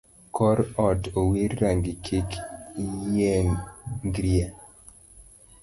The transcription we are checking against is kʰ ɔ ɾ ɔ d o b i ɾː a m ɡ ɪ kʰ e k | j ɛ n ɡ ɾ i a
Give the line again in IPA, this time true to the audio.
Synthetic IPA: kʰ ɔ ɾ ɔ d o w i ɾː a ŋ ɡ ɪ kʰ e k | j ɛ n ɡ ɾ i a